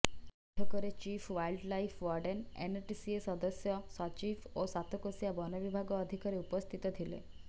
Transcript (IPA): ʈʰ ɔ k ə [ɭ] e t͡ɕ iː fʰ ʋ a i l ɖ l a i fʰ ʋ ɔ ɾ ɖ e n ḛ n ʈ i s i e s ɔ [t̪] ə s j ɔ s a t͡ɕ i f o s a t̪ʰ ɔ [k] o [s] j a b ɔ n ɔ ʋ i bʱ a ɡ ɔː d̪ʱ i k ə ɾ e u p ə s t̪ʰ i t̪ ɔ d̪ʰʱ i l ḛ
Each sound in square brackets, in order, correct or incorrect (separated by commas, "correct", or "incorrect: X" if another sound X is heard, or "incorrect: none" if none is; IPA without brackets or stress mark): incorrect: ɾ, incorrect: d̪, correct, correct